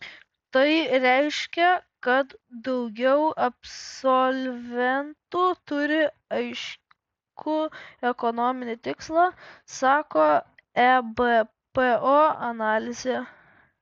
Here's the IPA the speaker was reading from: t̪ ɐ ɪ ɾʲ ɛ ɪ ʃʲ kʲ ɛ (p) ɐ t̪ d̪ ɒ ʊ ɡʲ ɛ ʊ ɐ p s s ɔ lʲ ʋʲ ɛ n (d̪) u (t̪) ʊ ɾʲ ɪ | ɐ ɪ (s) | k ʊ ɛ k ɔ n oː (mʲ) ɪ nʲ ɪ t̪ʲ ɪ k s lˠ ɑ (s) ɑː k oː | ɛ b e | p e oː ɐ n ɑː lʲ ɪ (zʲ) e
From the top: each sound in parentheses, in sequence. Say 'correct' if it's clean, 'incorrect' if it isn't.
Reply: incorrect, incorrect, correct, incorrect, correct, correct, correct

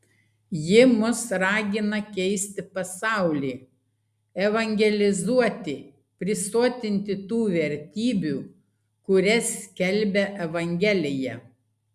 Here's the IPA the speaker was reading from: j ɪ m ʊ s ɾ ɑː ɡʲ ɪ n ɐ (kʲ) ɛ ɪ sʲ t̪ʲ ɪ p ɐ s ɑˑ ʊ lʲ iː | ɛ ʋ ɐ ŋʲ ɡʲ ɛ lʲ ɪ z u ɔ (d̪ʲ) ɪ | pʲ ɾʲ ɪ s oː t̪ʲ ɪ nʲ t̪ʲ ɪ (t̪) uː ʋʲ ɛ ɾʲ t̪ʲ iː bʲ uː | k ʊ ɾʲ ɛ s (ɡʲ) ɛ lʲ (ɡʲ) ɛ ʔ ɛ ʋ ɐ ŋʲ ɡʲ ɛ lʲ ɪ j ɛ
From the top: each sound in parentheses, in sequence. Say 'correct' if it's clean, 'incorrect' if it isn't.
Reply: correct, incorrect, correct, incorrect, incorrect

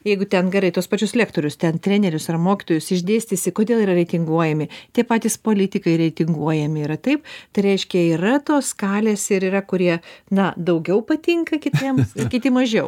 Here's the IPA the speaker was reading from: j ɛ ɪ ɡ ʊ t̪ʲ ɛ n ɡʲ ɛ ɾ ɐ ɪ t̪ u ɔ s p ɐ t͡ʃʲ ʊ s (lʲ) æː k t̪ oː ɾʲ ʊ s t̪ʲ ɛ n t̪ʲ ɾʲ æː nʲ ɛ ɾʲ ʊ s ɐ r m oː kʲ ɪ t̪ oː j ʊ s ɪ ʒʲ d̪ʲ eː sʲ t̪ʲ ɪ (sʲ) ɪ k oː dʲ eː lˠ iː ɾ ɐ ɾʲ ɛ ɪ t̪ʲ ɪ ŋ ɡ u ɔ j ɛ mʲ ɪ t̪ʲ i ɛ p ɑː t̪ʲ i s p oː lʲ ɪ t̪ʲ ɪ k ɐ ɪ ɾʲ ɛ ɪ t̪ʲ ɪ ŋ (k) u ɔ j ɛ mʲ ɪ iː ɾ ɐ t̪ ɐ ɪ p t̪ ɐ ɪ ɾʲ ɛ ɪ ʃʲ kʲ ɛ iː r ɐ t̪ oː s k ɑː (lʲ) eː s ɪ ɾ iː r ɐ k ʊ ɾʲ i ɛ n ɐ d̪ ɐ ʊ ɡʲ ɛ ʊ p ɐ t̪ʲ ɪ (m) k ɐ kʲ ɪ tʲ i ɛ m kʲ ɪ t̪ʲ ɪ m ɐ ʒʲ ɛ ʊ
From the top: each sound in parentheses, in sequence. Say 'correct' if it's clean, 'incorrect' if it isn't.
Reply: correct, correct, incorrect, correct, incorrect

